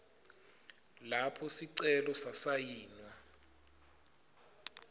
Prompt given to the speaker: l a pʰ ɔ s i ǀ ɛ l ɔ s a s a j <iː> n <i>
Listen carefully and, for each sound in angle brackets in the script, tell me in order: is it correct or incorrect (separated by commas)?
correct, incorrect